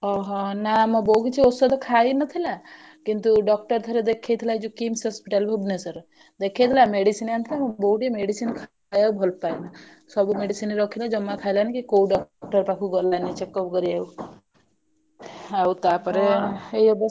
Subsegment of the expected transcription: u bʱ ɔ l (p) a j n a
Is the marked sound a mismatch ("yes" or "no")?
no